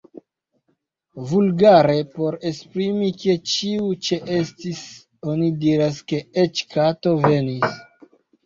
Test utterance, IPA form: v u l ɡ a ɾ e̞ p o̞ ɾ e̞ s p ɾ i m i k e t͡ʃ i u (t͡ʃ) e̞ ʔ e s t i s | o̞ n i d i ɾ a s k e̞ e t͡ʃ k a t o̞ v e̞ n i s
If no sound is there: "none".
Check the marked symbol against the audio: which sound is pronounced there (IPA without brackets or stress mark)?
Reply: t͡ʃ